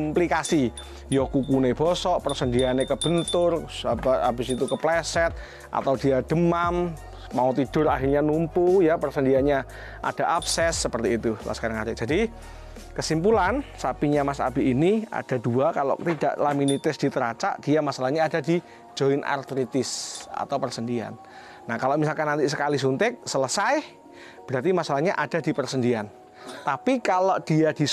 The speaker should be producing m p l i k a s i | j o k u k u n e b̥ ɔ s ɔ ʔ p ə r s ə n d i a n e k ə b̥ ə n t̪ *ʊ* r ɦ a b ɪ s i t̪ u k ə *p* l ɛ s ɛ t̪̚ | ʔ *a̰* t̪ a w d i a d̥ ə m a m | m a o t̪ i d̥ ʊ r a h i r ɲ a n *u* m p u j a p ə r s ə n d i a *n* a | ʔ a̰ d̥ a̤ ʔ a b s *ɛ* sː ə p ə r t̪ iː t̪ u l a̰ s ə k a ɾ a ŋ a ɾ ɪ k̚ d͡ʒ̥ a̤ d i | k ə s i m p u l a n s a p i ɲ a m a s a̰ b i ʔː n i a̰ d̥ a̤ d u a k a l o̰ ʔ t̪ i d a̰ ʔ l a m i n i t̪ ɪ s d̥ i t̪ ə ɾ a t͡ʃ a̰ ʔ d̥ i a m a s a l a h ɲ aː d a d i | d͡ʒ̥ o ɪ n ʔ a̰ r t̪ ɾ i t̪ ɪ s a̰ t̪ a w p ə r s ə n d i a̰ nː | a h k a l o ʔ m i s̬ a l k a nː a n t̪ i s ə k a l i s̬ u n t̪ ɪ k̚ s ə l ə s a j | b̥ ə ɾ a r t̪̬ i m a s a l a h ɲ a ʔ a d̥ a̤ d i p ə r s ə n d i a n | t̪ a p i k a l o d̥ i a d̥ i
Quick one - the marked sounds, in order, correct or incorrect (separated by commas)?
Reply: correct, correct, correct, correct, incorrect, correct